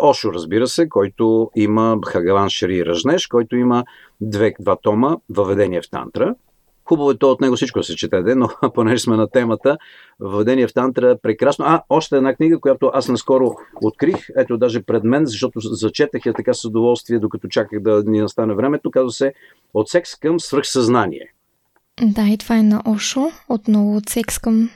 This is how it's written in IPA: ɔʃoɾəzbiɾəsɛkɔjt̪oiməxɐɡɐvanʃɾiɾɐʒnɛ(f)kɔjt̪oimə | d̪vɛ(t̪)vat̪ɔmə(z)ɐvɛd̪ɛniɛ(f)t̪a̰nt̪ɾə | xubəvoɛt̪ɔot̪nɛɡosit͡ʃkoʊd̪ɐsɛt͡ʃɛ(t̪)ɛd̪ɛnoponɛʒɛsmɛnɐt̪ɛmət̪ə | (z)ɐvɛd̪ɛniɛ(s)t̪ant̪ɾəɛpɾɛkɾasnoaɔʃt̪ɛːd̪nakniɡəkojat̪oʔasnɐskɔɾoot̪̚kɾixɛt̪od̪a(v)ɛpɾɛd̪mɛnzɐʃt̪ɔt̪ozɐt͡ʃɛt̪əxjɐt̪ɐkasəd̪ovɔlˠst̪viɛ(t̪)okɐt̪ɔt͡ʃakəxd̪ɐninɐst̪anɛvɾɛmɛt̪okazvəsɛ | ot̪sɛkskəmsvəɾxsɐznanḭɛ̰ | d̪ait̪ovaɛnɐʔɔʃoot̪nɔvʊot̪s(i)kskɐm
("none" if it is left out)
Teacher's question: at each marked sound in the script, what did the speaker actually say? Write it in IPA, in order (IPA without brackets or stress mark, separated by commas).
ʃ, d̪, v, f, t̪, v, f, ʒ, d̪, ɛ